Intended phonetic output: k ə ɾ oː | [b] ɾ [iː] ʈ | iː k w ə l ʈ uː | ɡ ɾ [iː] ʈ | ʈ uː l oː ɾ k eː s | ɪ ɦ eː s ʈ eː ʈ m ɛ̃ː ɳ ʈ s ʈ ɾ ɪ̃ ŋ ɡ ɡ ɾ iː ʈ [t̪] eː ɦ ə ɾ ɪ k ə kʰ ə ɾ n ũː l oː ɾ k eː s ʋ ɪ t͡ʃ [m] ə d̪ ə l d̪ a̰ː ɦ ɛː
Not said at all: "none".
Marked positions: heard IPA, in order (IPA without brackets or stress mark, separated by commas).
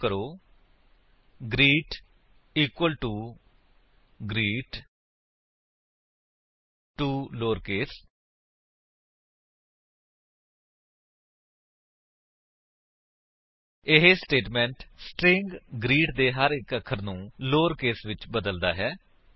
ɡ, iː, iː, d̪, b